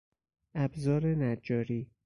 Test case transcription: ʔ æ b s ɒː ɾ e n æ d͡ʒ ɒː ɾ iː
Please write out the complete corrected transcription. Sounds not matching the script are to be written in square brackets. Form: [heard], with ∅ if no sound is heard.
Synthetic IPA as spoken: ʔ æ b [z] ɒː ɾ e n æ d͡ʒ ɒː ɾ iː

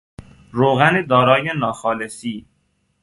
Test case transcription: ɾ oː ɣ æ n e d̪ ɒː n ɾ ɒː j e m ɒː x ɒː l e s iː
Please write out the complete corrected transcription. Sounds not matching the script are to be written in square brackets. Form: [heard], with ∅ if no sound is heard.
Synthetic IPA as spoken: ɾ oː ɣ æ n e d̪ ɒː [∅] ɾ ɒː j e [n] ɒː x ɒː l e s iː

